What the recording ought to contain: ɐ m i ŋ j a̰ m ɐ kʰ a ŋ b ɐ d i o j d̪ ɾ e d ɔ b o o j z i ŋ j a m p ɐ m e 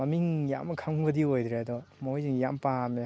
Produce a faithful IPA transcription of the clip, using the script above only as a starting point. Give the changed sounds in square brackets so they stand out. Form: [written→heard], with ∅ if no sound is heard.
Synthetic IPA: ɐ m i ŋ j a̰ m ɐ kʰ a ŋ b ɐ d i o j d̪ ɾ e d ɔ [b→m] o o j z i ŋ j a m p [ɐ→a] m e